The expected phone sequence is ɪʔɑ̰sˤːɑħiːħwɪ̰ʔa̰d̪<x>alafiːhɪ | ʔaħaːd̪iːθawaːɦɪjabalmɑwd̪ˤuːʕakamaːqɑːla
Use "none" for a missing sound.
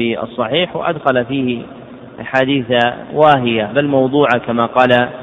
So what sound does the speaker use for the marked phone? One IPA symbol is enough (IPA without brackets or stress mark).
x